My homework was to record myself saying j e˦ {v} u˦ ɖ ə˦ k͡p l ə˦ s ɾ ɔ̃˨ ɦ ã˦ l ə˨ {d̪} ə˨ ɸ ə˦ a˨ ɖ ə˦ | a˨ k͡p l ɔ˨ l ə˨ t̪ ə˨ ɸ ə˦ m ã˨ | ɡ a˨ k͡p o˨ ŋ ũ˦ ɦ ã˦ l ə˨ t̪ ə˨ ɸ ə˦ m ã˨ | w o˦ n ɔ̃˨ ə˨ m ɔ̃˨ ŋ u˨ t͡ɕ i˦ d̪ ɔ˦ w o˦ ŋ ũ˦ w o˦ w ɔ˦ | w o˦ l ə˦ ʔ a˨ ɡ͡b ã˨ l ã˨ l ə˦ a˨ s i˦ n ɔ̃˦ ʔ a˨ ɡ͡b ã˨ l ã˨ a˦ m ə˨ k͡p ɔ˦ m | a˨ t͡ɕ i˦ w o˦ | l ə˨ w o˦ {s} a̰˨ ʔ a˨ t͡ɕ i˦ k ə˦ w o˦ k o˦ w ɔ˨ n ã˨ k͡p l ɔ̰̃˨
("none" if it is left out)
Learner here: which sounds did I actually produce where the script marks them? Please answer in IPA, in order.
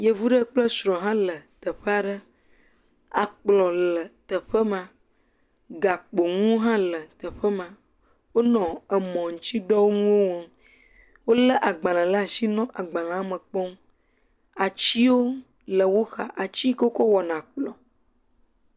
v, t̪, x

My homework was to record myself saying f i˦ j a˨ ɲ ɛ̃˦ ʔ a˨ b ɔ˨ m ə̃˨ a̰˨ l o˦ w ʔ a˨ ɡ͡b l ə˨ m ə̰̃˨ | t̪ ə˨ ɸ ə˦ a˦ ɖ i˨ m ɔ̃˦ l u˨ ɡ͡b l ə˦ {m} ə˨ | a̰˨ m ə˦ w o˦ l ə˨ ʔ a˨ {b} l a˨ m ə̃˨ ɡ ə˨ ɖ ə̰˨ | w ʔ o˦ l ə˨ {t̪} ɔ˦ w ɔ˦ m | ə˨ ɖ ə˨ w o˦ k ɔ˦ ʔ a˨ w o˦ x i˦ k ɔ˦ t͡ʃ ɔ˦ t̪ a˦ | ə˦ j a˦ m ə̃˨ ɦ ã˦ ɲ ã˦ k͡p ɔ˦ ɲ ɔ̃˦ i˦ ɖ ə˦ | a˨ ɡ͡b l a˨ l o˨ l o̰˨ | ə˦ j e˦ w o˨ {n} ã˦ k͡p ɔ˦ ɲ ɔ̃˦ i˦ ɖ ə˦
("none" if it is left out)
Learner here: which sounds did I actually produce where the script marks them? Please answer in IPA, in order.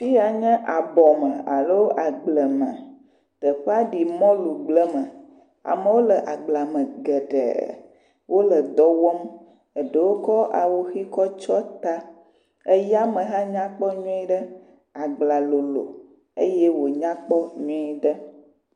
m, ɡ͡b, d̪, ɲ

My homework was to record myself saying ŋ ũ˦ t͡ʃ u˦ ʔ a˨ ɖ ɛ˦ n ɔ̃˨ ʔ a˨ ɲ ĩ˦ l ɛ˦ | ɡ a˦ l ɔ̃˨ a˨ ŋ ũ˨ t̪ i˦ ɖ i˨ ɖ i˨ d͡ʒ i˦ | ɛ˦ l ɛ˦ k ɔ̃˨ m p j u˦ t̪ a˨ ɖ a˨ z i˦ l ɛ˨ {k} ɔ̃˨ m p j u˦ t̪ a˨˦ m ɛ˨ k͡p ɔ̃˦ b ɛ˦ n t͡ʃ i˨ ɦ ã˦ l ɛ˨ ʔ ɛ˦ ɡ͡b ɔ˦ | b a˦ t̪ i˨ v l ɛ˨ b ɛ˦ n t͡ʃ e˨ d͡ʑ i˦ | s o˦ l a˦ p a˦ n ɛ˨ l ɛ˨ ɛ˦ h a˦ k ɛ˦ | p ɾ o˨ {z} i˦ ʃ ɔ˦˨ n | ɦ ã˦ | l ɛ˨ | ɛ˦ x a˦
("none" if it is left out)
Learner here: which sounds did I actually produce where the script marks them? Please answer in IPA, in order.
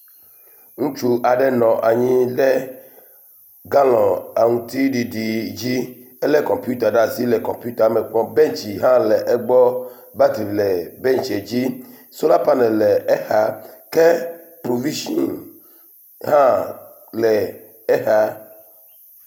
k, v

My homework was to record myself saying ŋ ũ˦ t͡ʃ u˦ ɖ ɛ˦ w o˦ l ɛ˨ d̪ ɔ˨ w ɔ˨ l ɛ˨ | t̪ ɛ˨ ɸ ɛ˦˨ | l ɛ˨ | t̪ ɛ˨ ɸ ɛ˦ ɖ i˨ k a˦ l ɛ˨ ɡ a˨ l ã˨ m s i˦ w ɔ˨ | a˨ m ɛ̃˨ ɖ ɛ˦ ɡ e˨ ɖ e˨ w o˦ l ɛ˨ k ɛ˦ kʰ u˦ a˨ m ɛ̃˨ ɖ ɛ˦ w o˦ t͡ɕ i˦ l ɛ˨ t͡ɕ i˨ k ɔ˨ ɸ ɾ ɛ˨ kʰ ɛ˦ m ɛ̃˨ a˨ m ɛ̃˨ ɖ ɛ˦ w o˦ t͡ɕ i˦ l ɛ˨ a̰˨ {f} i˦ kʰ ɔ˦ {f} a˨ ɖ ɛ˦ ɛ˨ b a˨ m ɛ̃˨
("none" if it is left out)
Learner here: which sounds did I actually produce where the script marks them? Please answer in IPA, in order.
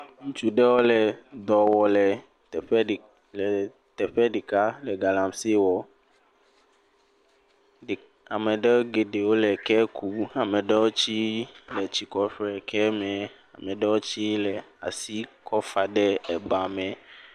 s, f

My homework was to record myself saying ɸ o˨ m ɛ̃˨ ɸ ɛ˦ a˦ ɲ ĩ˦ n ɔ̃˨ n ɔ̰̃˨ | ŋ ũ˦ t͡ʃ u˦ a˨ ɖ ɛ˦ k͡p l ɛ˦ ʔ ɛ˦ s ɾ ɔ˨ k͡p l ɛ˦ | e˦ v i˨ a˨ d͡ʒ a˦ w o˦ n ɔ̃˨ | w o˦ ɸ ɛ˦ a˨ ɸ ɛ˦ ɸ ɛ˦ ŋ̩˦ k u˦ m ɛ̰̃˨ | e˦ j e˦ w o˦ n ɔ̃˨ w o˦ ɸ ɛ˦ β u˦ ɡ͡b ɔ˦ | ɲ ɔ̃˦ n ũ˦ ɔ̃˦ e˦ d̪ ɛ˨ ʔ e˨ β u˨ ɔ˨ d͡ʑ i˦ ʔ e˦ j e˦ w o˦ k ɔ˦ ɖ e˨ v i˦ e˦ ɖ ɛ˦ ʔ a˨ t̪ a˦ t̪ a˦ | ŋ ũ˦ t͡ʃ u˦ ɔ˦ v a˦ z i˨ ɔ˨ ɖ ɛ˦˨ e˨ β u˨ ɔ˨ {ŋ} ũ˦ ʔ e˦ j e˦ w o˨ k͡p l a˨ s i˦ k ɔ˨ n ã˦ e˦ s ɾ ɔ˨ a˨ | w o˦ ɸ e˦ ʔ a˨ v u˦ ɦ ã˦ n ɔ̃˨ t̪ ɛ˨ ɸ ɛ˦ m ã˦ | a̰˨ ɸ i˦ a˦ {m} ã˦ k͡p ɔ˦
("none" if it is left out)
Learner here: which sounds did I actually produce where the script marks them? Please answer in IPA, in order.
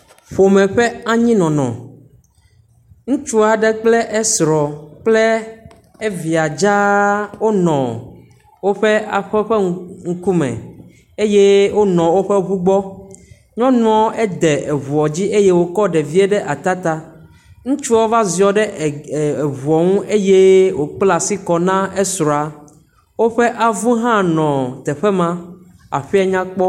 ŋ, ɲ

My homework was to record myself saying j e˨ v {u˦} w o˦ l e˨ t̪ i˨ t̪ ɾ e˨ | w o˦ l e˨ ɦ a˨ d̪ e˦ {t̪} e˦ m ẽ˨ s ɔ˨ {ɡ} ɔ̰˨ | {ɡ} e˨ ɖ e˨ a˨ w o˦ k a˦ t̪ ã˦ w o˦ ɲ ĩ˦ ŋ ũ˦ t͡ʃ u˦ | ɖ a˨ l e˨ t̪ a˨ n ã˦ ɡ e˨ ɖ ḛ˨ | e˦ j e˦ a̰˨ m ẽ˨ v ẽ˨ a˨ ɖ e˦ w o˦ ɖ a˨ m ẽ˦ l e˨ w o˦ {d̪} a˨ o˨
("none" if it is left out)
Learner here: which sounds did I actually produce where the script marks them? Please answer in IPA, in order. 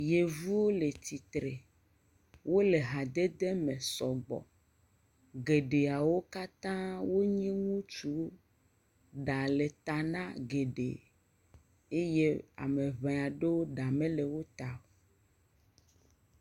u˦, d̪, ɡ͡b, ɡ, t̪

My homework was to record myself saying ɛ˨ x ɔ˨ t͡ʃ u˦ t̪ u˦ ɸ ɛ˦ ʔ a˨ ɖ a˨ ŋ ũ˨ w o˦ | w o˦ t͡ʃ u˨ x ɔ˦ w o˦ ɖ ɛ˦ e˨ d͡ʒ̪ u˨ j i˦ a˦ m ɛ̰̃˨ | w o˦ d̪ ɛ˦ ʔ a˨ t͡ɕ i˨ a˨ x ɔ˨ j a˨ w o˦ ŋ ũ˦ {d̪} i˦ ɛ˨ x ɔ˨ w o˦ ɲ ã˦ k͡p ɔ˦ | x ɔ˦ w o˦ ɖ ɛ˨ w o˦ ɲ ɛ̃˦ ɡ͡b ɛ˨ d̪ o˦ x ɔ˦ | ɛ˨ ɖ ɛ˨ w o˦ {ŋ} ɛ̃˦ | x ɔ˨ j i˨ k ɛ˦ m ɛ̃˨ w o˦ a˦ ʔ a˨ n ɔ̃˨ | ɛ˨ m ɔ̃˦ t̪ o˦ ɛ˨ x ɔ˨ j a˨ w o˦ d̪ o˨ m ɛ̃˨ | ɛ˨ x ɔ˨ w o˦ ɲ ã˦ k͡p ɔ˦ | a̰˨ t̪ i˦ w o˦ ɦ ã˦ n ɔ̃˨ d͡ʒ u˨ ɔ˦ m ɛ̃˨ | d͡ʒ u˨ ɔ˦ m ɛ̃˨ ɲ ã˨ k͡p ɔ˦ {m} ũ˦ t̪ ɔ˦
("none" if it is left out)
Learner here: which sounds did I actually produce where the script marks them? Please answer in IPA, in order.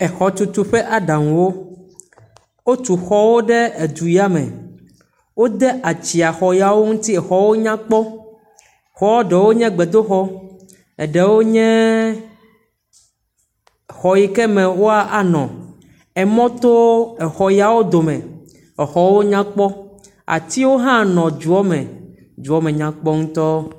t̪, ɲ, ŋ

